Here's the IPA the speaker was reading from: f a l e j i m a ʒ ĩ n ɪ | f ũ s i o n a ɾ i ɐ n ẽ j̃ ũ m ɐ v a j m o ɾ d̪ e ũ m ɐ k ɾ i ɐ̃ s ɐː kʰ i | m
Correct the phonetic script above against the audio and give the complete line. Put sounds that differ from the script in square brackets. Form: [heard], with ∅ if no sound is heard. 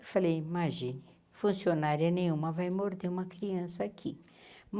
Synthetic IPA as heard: f a l e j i m a ʒ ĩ n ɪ | f ũ s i o n a ɾ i ɐ n ẽ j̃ ũ m ɐ v a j m o ɾ d̪ e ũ m ɐ k ɾ i ɐ̃ s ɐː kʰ i | m